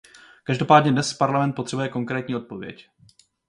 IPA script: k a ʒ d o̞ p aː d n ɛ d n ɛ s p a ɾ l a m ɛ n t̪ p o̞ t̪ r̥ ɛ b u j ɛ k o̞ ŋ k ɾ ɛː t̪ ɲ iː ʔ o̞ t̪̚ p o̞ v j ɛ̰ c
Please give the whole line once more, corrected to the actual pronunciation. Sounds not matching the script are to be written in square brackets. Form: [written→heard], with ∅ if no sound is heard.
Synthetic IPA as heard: k a ʒ d o̞ p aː d [n→ɲ] ɛ d n ɛ s p a ɾ l a m ɛ n t̪ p o̞ t̪ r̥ ɛ b u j ɛ k o̞ ŋ k ɾ ɛː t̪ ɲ iː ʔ o̞ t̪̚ p o̞ v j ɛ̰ c